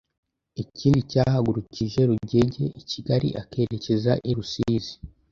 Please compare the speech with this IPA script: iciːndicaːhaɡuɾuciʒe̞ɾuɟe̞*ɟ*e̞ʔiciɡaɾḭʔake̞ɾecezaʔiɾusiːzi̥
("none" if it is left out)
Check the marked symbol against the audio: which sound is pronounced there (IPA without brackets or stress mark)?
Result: ɟ